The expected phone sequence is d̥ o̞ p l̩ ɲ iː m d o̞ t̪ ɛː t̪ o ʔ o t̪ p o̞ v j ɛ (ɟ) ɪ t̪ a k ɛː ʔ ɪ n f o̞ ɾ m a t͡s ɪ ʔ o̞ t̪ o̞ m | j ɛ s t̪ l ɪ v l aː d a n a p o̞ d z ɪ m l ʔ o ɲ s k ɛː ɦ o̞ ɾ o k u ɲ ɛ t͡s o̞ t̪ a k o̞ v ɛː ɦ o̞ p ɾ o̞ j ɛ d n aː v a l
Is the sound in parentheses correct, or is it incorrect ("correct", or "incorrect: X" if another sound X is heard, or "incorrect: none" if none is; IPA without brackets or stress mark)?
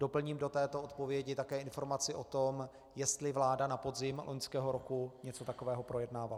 correct